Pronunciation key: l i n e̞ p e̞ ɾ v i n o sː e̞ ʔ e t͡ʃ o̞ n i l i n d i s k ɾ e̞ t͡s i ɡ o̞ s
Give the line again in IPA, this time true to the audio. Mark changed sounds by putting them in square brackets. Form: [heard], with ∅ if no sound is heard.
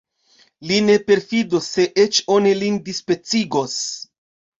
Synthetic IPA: l i n e̞ p e̞ ɾ [f] i [d] o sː e̞ ʔ e t͡ʃ o̞ n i l i n d i s [p] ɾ e̞ t͡s i ɡ o̞ s